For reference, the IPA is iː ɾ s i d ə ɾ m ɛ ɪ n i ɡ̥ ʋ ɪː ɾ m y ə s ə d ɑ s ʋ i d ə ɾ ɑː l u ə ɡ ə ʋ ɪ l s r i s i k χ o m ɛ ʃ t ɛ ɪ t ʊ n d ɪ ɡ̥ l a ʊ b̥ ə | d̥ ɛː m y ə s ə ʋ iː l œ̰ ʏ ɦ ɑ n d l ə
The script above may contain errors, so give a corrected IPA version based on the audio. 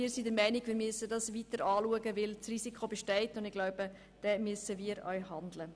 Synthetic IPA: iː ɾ s i d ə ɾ m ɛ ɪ n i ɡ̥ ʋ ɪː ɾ m y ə s ə d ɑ s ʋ i t ə ɾ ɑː l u ə ɡ ə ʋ ɪ l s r i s i k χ o b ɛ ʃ t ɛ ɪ t ʊ n d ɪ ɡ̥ l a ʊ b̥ ə | d̥ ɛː m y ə s ə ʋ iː ɾ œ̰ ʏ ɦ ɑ n d l ə